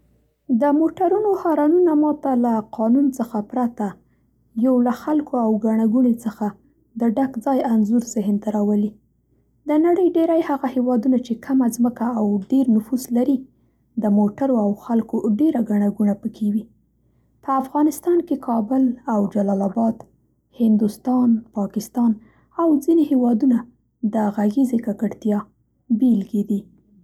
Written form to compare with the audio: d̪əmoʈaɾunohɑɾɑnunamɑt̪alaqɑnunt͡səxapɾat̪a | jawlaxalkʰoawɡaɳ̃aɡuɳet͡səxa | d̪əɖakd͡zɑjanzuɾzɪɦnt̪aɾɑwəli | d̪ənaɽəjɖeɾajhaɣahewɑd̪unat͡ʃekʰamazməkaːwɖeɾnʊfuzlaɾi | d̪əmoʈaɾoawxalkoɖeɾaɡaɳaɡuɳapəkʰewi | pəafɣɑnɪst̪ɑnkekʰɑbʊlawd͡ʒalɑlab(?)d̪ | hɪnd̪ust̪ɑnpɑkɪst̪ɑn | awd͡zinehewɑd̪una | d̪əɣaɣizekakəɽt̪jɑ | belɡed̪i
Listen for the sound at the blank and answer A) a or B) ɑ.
B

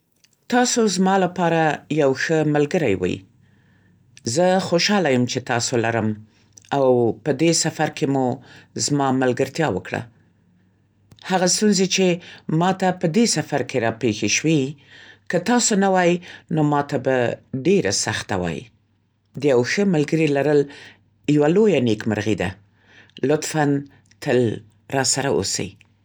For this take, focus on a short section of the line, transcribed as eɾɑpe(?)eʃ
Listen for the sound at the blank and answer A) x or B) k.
A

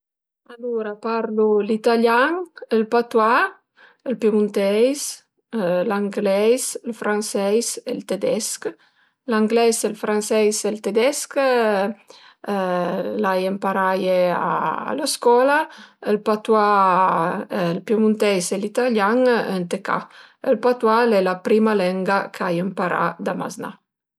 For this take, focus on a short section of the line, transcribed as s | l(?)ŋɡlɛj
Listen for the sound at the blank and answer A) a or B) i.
A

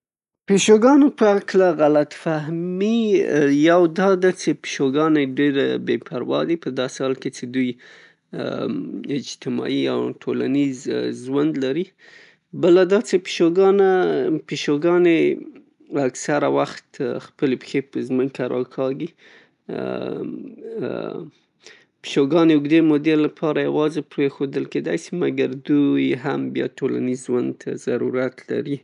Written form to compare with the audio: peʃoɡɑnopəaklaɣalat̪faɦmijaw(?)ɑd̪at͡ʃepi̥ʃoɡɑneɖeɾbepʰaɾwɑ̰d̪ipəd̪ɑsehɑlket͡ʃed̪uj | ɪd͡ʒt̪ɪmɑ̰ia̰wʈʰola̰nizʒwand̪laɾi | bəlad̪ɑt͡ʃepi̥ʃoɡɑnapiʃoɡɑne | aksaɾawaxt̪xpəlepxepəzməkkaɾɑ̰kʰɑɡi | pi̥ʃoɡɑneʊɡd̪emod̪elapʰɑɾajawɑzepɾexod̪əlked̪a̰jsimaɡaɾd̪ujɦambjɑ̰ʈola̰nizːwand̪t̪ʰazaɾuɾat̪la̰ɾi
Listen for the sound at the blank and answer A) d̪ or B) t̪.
A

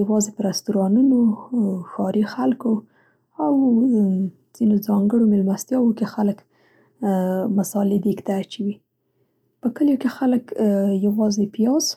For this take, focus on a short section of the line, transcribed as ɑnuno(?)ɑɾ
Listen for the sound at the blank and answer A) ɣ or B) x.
B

